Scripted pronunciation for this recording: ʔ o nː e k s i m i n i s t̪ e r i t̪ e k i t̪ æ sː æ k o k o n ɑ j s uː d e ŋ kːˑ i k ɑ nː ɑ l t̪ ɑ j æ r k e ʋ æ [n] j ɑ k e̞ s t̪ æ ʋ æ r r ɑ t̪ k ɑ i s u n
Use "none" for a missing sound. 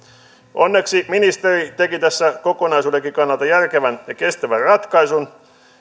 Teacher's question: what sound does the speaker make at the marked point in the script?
n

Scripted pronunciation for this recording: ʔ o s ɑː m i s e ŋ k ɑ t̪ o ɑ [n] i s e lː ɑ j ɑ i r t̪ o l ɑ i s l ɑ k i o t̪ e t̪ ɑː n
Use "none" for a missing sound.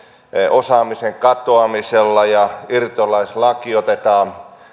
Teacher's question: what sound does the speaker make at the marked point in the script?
m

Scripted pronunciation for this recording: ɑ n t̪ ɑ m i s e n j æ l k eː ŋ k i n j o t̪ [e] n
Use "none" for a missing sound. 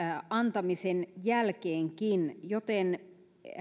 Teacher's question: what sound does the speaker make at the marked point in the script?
e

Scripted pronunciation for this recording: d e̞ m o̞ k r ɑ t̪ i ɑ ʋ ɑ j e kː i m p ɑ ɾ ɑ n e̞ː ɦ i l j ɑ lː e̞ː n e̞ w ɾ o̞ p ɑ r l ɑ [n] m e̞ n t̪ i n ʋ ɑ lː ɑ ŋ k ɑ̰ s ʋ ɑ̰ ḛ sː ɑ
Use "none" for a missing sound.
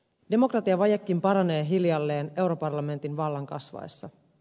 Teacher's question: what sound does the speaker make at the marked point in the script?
none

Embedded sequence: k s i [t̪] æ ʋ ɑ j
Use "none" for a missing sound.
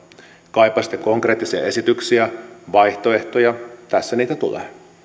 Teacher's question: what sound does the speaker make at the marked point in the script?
none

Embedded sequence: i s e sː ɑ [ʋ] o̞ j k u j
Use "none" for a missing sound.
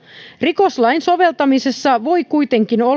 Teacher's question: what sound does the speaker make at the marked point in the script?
ʋ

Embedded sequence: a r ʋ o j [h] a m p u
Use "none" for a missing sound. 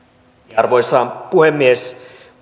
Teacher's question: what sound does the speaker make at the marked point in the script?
s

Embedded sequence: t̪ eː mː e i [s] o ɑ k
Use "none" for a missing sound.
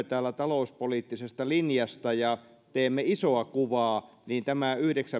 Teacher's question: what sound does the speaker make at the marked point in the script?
s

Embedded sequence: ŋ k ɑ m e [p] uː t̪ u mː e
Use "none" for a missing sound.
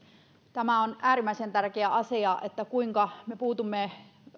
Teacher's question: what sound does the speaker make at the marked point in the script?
p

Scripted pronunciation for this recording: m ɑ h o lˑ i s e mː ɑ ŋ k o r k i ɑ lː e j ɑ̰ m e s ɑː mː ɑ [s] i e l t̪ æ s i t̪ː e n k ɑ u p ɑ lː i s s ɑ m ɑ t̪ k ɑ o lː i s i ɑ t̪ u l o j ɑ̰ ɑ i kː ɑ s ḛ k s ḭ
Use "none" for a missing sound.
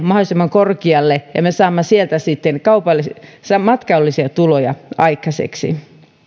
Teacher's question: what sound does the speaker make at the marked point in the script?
s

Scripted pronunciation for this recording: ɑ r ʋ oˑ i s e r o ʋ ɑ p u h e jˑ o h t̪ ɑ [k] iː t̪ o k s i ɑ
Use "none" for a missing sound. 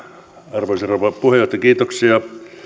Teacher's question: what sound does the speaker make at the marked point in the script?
k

